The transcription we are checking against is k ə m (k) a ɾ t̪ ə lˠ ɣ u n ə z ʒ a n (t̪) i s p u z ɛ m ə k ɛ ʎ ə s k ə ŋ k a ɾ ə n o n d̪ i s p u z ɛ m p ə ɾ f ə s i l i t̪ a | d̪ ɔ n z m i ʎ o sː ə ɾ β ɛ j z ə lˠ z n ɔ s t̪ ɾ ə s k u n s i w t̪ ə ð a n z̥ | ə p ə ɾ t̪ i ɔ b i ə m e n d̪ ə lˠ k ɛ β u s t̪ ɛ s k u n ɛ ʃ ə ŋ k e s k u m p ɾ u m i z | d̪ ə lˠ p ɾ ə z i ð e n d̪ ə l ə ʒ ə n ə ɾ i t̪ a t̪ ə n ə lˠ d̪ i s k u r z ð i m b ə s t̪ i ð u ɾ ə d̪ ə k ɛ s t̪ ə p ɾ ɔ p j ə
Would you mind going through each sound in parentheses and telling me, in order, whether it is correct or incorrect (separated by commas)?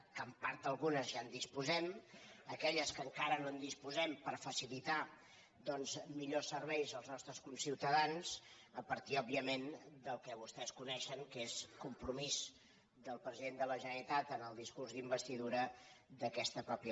incorrect, incorrect